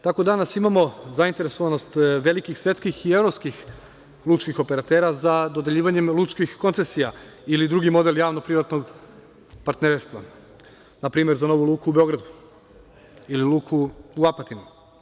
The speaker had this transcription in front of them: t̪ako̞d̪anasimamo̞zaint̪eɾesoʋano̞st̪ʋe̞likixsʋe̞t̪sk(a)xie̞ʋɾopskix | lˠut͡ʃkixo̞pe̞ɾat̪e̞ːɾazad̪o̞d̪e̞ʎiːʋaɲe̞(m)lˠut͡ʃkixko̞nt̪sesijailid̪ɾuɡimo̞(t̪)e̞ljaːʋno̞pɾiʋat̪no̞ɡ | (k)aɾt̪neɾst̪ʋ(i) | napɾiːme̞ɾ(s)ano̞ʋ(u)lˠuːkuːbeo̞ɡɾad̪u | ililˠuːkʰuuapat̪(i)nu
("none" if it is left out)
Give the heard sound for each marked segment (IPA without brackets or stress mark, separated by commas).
i, m, d̪, p, a, z, u, i